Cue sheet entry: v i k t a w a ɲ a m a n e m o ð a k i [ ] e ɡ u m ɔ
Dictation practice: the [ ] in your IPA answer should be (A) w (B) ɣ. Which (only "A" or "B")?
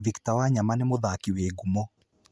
A